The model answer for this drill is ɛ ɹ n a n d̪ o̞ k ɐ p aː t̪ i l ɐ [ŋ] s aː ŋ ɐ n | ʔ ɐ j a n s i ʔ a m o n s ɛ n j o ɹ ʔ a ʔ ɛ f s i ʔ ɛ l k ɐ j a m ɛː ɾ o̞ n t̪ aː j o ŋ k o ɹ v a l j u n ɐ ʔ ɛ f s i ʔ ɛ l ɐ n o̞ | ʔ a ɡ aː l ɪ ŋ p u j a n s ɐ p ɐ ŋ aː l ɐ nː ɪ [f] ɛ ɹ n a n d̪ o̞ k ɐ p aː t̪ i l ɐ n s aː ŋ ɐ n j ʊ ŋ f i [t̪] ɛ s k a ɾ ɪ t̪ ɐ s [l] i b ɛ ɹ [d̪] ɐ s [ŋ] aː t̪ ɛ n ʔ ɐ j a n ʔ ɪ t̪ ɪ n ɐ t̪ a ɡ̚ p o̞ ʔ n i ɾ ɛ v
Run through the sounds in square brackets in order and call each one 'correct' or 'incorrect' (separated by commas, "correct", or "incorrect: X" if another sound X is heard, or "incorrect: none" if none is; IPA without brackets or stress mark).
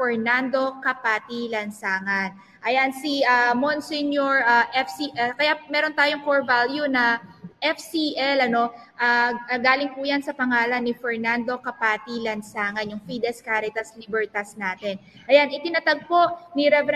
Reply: incorrect: n, correct, incorrect: d̪, correct, incorrect: t̪, incorrect: n